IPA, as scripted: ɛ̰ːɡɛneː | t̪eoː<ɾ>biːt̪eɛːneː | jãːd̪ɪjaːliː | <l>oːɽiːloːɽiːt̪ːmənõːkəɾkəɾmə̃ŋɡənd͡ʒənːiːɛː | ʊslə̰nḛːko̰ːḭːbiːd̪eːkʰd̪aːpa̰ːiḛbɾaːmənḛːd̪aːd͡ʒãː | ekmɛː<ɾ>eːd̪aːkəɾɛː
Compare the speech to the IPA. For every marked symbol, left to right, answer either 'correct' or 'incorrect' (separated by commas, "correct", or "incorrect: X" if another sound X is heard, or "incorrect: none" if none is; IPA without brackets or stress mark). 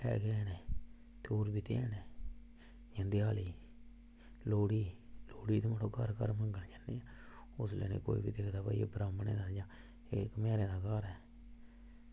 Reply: correct, correct, correct